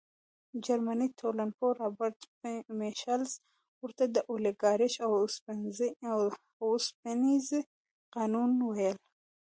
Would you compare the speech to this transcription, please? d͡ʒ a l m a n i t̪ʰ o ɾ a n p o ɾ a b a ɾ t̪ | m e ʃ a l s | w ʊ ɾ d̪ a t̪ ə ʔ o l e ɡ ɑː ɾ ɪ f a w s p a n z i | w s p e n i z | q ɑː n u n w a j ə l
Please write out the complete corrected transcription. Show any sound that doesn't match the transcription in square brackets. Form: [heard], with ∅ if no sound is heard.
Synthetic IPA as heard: d͡ʒ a [ɾ] m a n i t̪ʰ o [l] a n p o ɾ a b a ɾ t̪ | m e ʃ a l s | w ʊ ɾ [t̪] a [d̪] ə ʔ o l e ɡ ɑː ɾ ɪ [ʃ] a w s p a n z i | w s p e n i z | q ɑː n u n w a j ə l